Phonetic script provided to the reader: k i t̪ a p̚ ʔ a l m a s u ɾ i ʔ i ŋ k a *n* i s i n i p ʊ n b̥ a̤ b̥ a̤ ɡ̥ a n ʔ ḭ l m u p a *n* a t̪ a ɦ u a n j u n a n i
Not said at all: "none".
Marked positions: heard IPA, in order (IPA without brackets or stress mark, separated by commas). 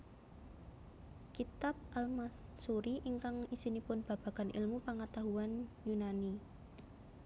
ŋ, ŋ